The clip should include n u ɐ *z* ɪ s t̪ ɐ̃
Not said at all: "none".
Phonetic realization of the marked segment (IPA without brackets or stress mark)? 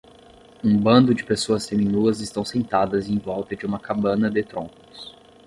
z